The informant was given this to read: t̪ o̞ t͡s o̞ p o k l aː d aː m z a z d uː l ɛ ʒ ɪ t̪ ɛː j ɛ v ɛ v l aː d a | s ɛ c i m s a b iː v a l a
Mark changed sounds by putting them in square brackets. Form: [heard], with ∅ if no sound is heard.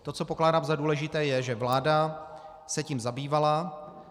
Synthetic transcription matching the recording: t̪ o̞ t͡s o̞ p o k l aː d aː m z a [∅] d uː l ɛ ʒ ɪ t̪ ɛː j ɛ [ʒ] ɛ v l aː d a | s ɛ c i m [z] a b iː v a l a

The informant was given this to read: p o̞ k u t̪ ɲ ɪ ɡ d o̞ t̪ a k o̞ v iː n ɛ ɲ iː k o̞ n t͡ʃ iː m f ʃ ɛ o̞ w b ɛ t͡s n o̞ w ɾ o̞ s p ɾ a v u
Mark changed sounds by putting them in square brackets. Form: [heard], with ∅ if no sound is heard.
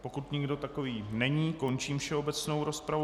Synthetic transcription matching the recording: p o̞ k u t̪ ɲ ɪ ɡ d o̞ t̪ a k o̞ v iː n ɛ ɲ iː k o̞ n t͡ʃ iː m f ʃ ɛ o̞ [∅] b ɛ t͡s n o̞ w ɾ o̞ s p ɾ a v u

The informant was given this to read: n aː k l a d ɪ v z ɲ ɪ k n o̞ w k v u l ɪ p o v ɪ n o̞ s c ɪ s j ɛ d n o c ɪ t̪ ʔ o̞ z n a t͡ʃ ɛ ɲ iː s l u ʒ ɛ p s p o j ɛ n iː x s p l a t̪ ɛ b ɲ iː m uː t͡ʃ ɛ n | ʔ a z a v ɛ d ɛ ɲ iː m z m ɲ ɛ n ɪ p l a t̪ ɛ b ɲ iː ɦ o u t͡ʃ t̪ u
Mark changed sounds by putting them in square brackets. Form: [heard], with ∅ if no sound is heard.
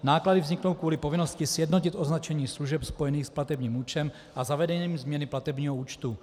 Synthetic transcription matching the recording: n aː k l a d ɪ v z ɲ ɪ k n o̞ w k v [uː] l ɪ p o v ɪ n o̞ s c ɪ s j ɛ d n o c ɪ t̪ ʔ o̞ z n a t͡ʃ ɛ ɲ iː s l u ʒ ɛ p s p o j ɛ n iː x s p l a t̪ ɛ b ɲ iː m uː t͡ʃ ɛ [m] | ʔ a z a v ɛ d ɛ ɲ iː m z m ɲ ɛ n ɪ p l a t̪ ɛ b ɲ iː ɦ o [uː] t͡ʃ t̪ u

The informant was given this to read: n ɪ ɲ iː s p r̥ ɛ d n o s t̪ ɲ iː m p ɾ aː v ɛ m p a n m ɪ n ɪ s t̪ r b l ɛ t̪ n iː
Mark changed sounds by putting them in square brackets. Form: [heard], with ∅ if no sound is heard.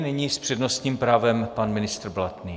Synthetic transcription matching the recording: n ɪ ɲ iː s p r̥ ɛ d n o s t̪ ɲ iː m p ɾ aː v ɛ m p a n m ɪ n ɪ s t̪ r b l [a] t̪ n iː

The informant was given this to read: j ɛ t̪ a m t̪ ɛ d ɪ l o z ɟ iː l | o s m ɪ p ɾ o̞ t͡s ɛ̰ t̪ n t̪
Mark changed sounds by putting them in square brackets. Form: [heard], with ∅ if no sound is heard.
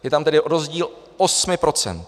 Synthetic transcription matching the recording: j ɛ t̪ a m t̪ ɛ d ɪ [ɾ] o z ɟ iː l | o s m ɪ p ɾ o̞ t͡s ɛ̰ [∅] n t̪

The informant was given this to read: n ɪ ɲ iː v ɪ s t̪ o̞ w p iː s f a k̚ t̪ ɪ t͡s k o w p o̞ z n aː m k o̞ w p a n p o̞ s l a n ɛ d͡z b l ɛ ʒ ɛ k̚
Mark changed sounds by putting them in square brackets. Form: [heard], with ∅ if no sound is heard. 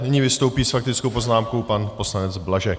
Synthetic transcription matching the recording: n ɪ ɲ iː v ɪ s t̪ o̞ w p iː s f a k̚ t̪ ɪ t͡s k o w p o̞ z n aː m k o̞ w p a n p o̞ s l a n ɛ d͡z b l [a] ʒ ɛ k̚

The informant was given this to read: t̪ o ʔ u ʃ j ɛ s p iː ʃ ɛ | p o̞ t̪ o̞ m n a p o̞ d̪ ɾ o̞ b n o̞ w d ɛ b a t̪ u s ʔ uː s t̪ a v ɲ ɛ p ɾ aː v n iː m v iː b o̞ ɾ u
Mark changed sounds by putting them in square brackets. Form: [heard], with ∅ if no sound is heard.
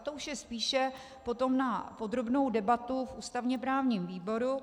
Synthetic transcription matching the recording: t̪ o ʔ u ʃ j ɛ s p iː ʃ ɛ | p o̞ t̪ o̞ m n a p o̞ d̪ ɾ o̞ b n o̞ w d ɛ b a t̪ u [f] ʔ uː s t̪ a v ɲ ɛ p ɾ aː v [ɲ] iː m v iː b o̞ ɾ u

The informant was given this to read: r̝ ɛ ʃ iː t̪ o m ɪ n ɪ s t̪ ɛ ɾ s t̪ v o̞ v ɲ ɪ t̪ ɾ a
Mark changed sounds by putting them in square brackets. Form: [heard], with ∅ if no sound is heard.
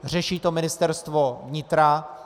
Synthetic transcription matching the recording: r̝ ɛ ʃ iː t̪ o m ɪ n ɪ s t̪ ɛ ɾ s t̪ v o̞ v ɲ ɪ t̪ ɾ a

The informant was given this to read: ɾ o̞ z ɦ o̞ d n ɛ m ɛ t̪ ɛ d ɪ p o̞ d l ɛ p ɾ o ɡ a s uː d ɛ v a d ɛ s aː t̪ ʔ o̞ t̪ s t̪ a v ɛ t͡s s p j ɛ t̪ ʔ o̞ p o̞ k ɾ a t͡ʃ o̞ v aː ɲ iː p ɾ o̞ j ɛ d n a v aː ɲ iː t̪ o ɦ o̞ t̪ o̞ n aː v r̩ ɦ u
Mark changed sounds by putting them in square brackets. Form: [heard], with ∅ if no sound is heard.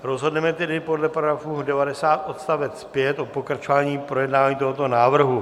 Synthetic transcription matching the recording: ɾ o̞ z ɦ o̞ d n ɛ m ɛ t̪ ɛ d ɪ p o̞ d l ɛ p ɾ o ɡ a [f] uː d ɛ v a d ɛ s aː t̪ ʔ o̞ t̪ s t̪ a v ɛ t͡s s p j ɛ t̪ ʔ o̞ p o̞ k ɾ a t͡ʃ o̞ v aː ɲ iː p ɾ o̞ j ɛ d n a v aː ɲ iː t̪ o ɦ o̞ t̪ o̞ n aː v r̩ ɦ u

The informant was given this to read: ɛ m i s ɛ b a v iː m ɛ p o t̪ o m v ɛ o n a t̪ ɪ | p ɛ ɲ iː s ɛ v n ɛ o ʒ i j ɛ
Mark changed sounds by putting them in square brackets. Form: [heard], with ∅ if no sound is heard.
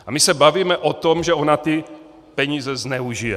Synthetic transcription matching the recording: [a] m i s ɛ b a v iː m ɛ [ʔ] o t̪ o m [ʒ] ɛ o n a t̪ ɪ | p ɛ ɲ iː [z] ɛ [z] n ɛ [u] ʒ i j ɛ

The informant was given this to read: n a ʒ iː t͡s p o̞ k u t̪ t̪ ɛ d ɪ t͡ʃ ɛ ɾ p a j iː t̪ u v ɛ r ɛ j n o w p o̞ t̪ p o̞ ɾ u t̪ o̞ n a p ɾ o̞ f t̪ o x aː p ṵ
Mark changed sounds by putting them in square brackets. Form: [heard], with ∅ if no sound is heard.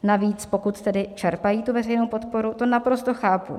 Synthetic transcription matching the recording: n a [v] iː t͡s p o̞ k u t̪ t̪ ɛ d ɪ t͡ʃ ɛ ɾ p a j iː t̪ u v ɛ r ɛ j n o w p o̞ t̪ p o̞ ɾ u t̪ o̞ n a p ɾ o̞ [s] t̪ o x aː p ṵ

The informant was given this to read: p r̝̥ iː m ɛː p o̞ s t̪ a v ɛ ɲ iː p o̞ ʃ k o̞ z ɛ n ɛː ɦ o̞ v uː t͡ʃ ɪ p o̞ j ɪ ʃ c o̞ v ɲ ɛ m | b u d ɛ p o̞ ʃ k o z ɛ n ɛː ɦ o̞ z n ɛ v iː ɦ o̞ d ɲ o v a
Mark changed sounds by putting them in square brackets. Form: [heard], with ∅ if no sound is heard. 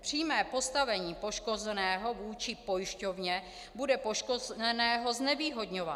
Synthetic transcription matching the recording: p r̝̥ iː m ɛː p o̞ s t̪ a v ɛ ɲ iː p o̞ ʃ k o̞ z ɛ n ɛː ɦ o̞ v uː t͡ʃ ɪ p o̞ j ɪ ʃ c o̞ v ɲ ɛ [∅] | b u d ɛ p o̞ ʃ k o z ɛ n ɛː ɦ o̞ z n ɛ v iː ɦ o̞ d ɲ o v a

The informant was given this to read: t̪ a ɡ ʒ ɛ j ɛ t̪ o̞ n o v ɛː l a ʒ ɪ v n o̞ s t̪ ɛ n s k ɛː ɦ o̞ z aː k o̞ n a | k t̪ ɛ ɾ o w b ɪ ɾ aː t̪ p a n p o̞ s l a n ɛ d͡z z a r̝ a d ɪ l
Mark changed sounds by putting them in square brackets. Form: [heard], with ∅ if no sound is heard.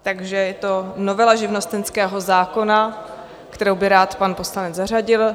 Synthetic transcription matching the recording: t̪ a ɡ ʒ ɛ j ɛ t̪ o̞ n o v [ɛ] l a ʒ ɪ v n o̞ s t̪ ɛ n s k ɛː ɦ o̞ z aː k o̞ n a | k t̪ ɛ ɾ o w b ɪ ɾ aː t̪ p a n p o̞ s l a n ɛ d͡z z a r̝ a [ɟ] ɪ l

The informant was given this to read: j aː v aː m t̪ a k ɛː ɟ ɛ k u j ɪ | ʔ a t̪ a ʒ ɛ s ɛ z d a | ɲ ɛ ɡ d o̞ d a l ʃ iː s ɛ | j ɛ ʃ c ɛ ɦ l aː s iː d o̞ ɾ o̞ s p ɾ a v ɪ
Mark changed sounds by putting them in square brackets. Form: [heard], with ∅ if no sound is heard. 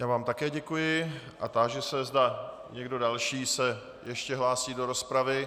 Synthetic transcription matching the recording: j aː v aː m t̪ a k ɛː ɟ ɛ k u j ɪ | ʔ a t̪ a ʒ ɛ s ɛ z d a | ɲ ɛ ɡ d o̞ d a l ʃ iː s ɛ | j ɛ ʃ c ɛ ɦ l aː s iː d o̞ ɾ o̞ s p ɾ a v ɪ

